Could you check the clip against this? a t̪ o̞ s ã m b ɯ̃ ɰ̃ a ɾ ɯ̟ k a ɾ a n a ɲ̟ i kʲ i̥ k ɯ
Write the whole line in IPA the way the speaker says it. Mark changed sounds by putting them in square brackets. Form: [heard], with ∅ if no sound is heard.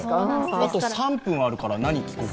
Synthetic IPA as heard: a t̪ o̞ s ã m [p] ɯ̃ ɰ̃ a ɾ ɯ̟ k a ɾ a n a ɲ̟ i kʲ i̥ k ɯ